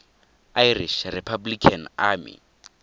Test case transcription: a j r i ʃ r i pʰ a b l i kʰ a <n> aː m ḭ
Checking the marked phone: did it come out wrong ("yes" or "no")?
no